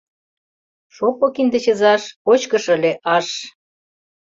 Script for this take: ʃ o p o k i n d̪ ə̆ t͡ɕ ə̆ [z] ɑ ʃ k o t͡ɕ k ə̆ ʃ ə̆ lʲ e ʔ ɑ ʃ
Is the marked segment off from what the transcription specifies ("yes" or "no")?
no